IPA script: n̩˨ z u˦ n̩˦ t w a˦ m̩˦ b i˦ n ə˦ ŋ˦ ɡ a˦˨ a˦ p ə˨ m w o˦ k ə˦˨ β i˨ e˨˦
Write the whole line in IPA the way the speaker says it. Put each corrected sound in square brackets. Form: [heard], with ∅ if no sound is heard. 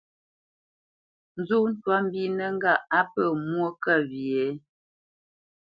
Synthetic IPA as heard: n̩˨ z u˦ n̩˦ t w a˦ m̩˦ b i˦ n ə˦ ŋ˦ ɡ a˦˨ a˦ p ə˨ m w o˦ k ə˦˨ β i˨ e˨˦